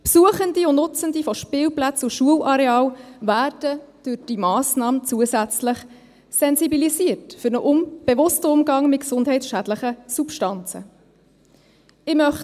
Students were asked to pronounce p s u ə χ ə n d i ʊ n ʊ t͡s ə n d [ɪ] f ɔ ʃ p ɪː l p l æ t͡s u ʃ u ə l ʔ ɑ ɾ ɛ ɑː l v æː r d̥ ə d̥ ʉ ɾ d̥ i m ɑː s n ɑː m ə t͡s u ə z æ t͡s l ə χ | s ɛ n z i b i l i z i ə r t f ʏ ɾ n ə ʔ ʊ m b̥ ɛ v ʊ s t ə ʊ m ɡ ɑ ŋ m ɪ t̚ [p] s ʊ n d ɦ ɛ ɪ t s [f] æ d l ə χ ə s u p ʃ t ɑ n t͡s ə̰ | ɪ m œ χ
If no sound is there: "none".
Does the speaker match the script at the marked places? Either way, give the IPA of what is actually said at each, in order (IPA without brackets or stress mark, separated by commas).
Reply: i, k, ʃ